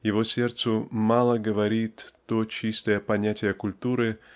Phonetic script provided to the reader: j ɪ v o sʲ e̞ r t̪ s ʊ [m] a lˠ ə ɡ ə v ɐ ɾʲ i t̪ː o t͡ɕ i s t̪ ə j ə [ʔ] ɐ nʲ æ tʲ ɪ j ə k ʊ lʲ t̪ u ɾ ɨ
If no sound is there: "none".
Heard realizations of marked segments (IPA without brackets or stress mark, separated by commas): m, p